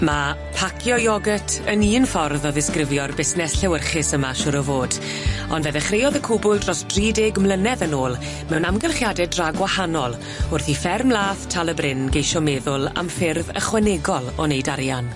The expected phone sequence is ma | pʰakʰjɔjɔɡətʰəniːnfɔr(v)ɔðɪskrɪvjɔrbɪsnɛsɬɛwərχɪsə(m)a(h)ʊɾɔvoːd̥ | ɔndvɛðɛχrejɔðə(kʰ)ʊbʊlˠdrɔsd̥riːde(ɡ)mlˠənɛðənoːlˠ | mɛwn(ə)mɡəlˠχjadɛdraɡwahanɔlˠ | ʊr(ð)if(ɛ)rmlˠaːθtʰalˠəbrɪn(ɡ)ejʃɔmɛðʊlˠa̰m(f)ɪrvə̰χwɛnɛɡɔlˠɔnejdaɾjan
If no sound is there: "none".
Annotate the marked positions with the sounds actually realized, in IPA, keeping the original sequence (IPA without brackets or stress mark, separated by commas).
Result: ð, m, ʃ, kʰ, ɡ, a, θ, ɛ, ɡ, f